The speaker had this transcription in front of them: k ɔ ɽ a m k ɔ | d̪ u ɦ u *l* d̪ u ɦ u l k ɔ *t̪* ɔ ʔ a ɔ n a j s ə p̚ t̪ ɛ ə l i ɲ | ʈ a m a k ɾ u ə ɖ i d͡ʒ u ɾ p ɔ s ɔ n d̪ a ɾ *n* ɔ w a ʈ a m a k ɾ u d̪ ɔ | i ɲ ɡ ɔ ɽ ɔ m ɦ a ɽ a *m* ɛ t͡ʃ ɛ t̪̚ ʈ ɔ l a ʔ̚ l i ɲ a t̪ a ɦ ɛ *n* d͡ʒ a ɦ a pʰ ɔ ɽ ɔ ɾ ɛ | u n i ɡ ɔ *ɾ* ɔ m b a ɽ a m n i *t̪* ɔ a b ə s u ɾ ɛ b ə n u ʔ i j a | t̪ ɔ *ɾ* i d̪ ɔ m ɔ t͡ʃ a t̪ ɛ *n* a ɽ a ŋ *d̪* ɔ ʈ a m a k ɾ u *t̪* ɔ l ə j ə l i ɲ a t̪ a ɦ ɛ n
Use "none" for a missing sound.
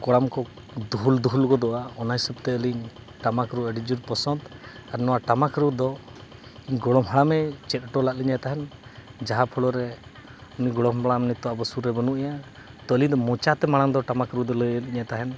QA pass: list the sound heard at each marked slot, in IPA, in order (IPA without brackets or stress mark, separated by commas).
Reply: l, d̪, n, m, n, ɽ, t̪, l, m, d̪, d̪